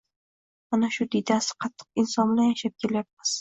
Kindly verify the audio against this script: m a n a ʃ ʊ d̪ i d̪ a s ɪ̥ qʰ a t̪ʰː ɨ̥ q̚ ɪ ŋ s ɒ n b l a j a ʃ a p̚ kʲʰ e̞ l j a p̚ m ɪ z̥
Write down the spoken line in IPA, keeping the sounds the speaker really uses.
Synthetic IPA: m a n a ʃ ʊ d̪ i d̪ a s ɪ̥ qʰ ɑ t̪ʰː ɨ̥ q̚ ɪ n s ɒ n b l a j a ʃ a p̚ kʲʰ e̞ l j a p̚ m ɪ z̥